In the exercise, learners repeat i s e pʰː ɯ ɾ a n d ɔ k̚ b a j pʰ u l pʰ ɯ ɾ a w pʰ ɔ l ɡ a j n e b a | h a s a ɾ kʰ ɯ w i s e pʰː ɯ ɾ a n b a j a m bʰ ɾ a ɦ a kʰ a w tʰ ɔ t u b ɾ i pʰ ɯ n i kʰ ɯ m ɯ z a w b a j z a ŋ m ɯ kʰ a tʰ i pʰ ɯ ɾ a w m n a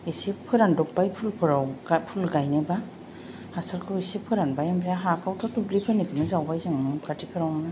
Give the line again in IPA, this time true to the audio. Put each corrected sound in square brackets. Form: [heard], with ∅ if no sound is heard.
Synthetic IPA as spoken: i s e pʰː ɯ ɾ a n d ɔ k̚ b a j pʰ u l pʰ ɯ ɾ a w pʰ [u] l ɡ a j n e b a | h a s a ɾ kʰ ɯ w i s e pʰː ɯ ɾ a n b a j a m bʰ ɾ a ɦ a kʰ a w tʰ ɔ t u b [l] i pʰ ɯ n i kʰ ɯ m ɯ z a w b a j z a ŋ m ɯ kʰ a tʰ i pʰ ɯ ɾ a w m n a

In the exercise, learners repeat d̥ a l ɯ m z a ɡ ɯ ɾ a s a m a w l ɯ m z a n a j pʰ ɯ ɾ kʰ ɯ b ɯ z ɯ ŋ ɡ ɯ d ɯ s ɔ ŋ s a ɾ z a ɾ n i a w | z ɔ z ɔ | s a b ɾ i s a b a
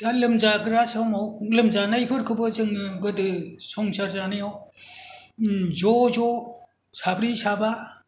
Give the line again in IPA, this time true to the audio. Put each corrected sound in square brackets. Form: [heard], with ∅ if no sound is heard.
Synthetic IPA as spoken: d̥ a l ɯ m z a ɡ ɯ ɾ a s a m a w l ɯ m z a n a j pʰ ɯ ɾ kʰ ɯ b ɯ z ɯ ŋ ɡ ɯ d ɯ s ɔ ŋ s a ɾ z a [∅] n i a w | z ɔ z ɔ | s a b ɾ i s a b a

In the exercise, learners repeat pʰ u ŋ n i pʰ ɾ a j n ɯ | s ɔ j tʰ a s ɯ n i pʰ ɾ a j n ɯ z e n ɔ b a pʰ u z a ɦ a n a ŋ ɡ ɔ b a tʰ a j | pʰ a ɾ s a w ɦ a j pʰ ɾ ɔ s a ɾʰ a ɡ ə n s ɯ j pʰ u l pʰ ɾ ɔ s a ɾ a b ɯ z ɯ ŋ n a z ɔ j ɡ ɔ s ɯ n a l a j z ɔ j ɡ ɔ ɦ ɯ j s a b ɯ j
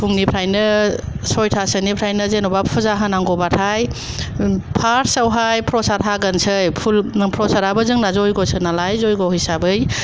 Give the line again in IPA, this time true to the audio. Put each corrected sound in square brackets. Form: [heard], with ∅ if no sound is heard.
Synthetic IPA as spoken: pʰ u ŋ n i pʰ ɾ a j n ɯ | s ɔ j tʰ a s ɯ n i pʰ ɾ a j n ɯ z e n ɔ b a pʰ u z a ɦ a n a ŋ ɡ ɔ b a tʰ a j | pʰ a ɾ s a w ɦ a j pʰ ɾ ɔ s a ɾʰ a ɡ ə n s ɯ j pʰ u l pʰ ɾ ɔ s a ɾ a b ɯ z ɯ ŋ n a z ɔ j ɡ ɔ s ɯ n a l a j z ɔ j ɡ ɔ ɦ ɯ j s a b ɯ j

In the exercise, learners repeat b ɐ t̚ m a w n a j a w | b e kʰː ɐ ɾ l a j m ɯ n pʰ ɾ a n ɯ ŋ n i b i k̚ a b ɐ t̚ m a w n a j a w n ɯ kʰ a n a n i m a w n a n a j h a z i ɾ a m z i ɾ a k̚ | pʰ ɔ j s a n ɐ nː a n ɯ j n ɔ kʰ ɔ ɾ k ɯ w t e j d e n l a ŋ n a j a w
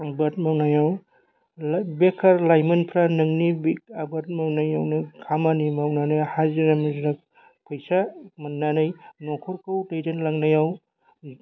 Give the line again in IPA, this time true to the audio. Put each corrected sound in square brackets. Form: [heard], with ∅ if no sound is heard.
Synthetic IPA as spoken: b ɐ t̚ m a w n a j a w | b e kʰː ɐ ɾ l a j m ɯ n pʰ ɾ a n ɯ ŋ n i b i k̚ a b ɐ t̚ m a w n a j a w n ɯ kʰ a [m] a n i m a w n a n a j h a z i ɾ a m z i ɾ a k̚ | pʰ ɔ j s a [m] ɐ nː a n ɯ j n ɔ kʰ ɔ ɾ k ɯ w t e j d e n l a ŋ n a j a w

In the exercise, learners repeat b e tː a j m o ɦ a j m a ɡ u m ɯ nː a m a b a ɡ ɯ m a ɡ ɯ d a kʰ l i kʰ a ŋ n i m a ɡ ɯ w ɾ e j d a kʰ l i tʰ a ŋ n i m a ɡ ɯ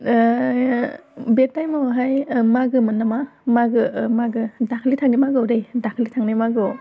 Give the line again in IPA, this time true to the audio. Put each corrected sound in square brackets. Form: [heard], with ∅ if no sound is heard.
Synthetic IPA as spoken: b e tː a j m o ɦ a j m a ɡ [ɯ] m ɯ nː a m a [m] a ɡ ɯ m a ɡ ɯ d a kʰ l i [tʰ] a ŋ n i m a ɡ ɯ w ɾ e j d a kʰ l i tʰ a ŋ n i m a ɡ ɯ

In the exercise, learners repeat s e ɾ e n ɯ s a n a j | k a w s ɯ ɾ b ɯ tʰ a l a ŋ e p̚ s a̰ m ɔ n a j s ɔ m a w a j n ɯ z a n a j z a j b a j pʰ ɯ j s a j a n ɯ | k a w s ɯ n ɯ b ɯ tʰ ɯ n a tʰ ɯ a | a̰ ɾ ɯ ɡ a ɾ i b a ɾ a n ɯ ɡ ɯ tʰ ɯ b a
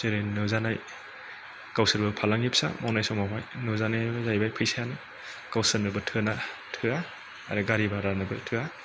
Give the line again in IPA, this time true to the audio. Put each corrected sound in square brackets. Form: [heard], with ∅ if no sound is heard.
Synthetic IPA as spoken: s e ɾ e n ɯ [z] a n a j | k a w s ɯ ɾ b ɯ [pʰ] a l a ŋ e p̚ s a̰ m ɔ n a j s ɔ m a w a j n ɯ z a n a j z a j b a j pʰ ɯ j s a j a n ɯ | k a w s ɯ n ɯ b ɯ tʰ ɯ n a tʰ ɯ a | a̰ ɾ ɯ ɡ a ɾ i b a ɾ a n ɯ [b] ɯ tʰ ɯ [∅] a

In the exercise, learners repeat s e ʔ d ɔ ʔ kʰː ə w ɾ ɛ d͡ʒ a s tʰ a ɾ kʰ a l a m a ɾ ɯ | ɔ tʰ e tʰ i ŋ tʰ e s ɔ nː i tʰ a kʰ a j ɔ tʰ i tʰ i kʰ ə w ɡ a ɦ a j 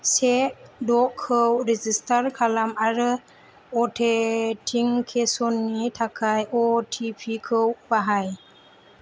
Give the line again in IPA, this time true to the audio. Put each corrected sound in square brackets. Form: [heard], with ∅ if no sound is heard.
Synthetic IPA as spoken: s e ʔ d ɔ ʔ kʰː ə w ɾ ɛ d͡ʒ [i] s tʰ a ɾ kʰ a l a m a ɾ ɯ | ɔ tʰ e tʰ i ŋ [kʰ] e s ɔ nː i tʰ a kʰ a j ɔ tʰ i [pʰ] i kʰ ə w [b] a ɦ a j

